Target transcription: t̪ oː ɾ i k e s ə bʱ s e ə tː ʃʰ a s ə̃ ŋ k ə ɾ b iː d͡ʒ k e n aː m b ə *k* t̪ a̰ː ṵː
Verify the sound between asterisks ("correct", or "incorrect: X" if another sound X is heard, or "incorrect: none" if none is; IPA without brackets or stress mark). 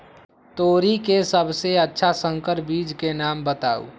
incorrect: none